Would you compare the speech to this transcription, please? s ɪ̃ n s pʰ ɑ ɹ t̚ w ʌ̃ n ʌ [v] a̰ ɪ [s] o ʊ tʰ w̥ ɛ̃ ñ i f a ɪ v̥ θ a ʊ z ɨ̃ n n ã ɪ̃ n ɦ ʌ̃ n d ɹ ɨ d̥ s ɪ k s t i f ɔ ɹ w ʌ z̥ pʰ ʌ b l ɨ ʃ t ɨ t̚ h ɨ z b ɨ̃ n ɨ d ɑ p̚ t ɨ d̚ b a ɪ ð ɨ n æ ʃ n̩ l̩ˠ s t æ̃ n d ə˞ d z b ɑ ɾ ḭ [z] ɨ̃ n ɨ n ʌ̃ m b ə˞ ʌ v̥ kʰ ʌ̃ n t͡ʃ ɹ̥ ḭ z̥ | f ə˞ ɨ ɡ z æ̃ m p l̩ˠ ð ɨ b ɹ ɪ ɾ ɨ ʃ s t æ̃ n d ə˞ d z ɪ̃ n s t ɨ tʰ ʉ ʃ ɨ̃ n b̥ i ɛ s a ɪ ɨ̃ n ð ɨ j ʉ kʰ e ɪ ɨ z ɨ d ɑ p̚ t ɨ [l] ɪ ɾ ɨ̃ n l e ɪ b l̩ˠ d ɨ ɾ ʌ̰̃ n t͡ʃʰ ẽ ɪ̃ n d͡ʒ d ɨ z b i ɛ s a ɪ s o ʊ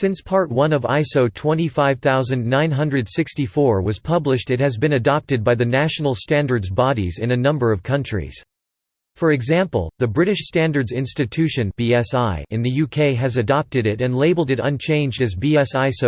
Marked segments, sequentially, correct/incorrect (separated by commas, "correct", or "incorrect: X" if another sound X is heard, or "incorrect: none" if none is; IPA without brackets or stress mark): correct, correct, correct, incorrect: ɾ